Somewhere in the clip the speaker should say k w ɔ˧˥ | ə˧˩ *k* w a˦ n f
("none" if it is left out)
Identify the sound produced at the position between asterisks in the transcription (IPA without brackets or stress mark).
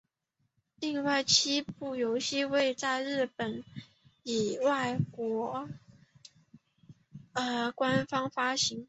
k